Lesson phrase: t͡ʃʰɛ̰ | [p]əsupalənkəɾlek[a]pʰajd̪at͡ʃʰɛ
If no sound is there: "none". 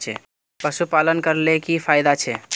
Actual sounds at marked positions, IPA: p, i

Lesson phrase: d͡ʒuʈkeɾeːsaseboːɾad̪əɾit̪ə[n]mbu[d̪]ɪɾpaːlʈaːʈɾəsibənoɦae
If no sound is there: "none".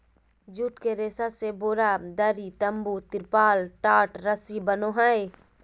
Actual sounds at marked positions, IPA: none, t̪

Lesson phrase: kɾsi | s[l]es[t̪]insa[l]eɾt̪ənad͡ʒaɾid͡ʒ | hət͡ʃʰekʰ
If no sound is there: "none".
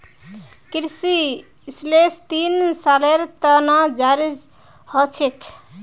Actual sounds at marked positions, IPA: l, t̪, l

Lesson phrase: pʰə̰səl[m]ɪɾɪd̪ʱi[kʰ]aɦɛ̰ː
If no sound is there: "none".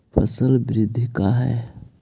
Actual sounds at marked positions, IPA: b, k

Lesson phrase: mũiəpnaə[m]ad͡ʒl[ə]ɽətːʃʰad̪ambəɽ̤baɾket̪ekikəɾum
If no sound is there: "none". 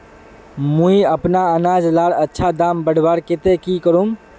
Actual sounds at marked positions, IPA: n, a

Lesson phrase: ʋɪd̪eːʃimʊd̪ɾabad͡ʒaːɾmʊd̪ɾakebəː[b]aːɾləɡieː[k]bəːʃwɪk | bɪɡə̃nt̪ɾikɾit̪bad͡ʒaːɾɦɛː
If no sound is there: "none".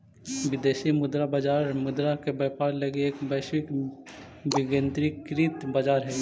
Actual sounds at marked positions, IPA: p, k

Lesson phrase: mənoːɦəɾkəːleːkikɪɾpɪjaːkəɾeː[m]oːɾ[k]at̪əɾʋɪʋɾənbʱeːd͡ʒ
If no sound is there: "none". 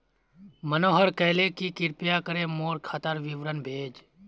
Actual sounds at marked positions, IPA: m, kʰ

